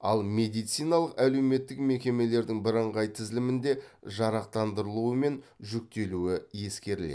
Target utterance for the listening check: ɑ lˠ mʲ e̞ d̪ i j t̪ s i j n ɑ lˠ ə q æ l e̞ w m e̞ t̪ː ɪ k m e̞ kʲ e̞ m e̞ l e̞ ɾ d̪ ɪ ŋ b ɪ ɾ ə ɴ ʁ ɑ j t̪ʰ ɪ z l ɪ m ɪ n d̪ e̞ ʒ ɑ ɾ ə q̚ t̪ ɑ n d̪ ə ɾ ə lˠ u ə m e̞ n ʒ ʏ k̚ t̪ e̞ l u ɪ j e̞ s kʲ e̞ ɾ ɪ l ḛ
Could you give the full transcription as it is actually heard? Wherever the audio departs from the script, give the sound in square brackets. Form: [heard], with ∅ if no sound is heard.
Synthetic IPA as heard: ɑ lˠ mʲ e̞ d̪ i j t̪ s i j n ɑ lˠ ə q æ l e̞ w m e̞ t̪ː ɪ k m e̞ kʲ e̞ m e̞ l e̞ ɾ d̪ ɪ ŋ b ɪ ɾ ə ɴ ʁ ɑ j t̪ʰ ɪ z l ɪ m ɪ n d̪ e̞ ʒ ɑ ɾ [ɑ] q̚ t̪ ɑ n d̪ ə ɾ ə lˠ u ə m e̞ n ʒ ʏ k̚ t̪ e̞ l u ɪ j e̞ s kʲ e̞ ɾ ɪ l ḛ